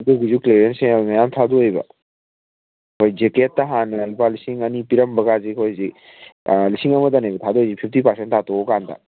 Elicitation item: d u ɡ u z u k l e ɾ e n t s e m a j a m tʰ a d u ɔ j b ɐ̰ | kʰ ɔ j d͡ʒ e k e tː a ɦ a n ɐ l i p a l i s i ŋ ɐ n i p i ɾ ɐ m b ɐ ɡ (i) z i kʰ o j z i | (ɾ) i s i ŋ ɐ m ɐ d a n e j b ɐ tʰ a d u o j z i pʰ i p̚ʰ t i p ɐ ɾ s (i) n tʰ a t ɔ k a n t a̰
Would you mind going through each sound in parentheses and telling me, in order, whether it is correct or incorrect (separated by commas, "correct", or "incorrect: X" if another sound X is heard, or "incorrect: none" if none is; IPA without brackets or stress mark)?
incorrect: a, incorrect: l, incorrect: e